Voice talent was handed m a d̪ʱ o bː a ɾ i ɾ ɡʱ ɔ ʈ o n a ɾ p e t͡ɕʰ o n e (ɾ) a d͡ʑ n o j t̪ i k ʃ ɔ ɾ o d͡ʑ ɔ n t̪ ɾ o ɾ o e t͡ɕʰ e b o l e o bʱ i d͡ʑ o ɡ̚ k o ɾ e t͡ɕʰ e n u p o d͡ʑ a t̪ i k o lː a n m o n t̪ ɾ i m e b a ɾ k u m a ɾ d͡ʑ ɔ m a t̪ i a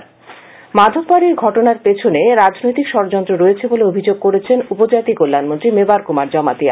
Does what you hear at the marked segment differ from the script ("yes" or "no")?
no